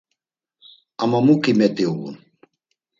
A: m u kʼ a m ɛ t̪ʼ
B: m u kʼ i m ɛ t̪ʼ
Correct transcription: B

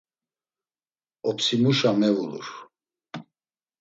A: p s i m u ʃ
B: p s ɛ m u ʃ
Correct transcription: A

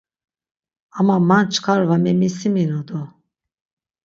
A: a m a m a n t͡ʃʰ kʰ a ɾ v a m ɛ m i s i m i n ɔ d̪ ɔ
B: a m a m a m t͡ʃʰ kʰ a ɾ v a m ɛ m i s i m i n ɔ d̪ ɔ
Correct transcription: A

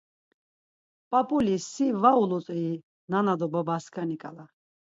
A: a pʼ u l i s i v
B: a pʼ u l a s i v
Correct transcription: A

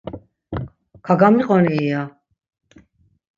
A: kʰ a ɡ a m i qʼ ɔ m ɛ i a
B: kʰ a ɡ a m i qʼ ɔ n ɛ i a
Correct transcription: B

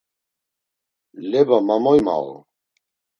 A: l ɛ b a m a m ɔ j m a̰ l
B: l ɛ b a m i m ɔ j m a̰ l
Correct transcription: A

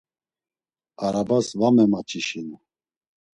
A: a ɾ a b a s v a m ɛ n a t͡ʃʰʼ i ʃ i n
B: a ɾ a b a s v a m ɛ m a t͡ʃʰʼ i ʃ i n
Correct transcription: B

